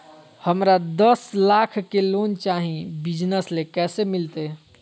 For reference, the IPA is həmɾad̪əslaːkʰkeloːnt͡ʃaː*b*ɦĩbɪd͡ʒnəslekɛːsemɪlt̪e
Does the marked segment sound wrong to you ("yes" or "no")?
yes